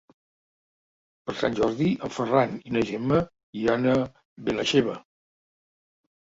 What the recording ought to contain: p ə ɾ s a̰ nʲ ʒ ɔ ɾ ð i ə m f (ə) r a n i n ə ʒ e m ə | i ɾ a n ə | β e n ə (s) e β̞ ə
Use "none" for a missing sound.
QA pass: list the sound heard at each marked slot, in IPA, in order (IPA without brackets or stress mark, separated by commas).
ə, ʃ